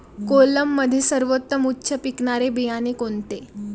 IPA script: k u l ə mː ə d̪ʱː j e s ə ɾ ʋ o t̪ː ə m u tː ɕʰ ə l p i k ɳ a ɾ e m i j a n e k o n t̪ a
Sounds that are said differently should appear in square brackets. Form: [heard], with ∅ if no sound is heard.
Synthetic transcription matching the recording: k [o] l ə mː ə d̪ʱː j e s ə ɾ ʋ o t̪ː ə m u tː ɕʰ ə [∅] p i k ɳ a ɾ e [b] i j a n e k o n t̪ [e]